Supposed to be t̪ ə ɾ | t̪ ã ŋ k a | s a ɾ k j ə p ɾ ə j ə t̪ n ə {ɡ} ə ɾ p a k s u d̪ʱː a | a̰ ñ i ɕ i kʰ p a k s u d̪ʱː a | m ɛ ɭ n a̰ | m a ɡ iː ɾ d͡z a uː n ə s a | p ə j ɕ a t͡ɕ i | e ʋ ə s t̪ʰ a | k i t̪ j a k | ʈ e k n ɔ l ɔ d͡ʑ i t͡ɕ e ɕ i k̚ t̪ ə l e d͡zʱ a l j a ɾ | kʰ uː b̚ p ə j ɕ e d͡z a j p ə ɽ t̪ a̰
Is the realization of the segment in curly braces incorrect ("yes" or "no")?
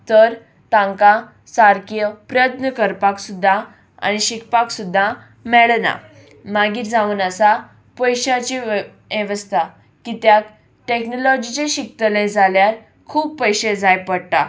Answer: yes